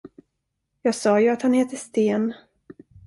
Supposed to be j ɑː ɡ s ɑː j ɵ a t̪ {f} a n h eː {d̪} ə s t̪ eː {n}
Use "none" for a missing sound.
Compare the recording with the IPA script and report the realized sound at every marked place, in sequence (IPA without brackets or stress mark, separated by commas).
h, t̪, n